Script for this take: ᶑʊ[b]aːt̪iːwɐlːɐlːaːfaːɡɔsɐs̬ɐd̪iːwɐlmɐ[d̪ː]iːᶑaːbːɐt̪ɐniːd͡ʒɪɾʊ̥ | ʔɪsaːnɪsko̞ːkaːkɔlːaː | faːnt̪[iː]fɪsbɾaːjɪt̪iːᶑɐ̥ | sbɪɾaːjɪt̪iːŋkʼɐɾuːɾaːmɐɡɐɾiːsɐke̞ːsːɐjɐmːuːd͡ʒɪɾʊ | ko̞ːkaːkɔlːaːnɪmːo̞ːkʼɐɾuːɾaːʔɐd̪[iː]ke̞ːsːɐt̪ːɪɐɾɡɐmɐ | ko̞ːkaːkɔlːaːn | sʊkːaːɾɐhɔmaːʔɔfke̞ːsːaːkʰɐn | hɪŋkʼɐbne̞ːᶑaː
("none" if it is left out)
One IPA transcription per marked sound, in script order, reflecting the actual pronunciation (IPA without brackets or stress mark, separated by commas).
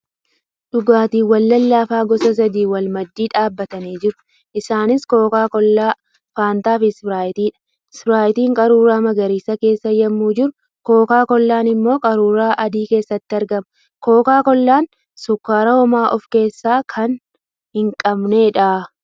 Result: ɡ, d̪ː, aː, iː